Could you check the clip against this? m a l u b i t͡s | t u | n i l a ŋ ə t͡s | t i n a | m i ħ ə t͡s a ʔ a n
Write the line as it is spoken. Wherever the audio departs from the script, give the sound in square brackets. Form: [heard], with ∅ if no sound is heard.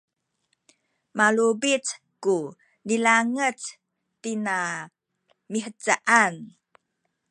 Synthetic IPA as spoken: m a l u b i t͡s | [k] u | n i l a ŋ ə t͡s | t i n a | m i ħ ə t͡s a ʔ a n

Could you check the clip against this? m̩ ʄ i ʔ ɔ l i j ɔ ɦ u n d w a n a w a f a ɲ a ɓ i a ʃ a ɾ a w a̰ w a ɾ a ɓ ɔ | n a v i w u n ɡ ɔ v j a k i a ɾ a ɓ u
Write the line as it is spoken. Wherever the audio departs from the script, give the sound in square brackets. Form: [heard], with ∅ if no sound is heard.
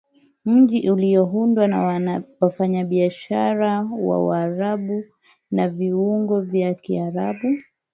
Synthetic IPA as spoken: m̩ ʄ i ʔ [u] l i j ɔ ɦ u n d w a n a w a f a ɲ a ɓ i a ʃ a ɾ a w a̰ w a ɾ a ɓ [u] | n a v i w u [ŋ] ɡ ɔ v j a k i a ɾ a ɓ u

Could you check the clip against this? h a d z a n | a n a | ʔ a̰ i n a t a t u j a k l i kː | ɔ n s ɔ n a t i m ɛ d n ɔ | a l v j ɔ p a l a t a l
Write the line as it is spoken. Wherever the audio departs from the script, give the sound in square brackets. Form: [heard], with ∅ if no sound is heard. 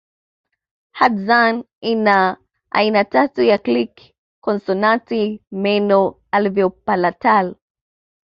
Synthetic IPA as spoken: h a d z a n | [i] n a | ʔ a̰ i n a t a t u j a k l i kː | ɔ n s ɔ n a t i m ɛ [∅] n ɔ | a l v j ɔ p a l a t a l

